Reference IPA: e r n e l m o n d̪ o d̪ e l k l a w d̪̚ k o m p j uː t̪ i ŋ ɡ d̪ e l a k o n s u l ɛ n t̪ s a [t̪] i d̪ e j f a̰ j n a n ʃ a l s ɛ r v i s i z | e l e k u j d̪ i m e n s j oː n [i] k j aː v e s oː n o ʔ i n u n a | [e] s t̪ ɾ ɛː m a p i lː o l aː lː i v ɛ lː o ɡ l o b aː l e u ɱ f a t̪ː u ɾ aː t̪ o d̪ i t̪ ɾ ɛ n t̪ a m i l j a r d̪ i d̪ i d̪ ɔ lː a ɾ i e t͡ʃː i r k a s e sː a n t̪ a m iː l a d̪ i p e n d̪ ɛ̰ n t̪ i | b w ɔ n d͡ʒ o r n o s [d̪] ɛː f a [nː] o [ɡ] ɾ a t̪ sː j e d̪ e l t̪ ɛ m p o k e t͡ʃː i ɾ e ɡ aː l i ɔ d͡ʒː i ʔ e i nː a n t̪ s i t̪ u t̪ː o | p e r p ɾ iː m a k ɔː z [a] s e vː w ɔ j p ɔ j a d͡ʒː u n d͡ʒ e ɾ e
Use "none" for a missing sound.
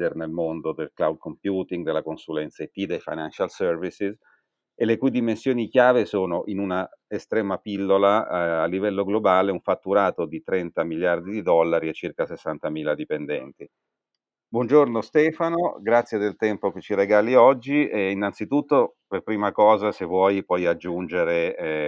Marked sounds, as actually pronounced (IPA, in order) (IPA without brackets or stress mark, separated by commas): t̪, i, e, t̪, n, ɡ, a